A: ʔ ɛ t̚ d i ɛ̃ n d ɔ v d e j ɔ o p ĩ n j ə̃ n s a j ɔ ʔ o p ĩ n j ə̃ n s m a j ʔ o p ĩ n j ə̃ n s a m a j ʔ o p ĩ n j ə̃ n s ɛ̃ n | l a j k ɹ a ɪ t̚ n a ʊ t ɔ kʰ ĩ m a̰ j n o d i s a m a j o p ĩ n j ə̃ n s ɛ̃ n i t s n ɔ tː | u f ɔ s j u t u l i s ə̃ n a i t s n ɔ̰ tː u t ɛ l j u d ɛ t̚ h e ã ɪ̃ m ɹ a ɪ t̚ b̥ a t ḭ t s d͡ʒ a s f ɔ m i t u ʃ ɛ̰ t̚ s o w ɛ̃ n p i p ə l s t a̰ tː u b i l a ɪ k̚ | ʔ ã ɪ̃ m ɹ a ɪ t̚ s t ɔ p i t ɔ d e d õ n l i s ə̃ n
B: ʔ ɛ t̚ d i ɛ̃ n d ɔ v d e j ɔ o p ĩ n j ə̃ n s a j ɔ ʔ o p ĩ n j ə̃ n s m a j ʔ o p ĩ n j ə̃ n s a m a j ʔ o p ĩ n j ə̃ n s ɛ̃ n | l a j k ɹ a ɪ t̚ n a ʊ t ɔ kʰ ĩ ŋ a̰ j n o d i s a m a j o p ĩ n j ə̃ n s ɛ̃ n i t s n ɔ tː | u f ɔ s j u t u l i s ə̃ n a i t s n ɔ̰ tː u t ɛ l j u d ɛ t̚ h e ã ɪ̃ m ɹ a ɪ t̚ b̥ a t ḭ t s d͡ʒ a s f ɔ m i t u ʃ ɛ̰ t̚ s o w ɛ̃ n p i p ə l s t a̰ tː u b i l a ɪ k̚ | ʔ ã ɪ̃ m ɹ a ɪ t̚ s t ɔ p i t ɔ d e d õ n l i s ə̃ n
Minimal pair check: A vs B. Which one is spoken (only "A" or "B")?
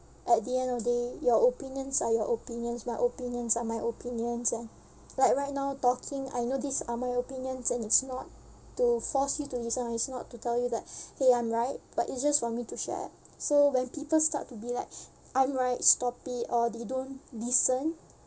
B